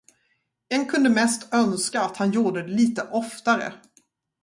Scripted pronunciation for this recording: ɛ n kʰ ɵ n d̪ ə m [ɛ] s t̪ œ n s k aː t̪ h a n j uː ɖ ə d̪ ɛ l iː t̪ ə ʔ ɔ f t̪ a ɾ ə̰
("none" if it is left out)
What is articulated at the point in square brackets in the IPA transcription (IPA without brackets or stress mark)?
ɛ